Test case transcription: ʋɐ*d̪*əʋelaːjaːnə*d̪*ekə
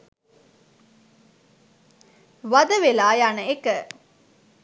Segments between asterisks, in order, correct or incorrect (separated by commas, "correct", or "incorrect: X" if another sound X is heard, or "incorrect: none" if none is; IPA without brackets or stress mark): correct, incorrect: none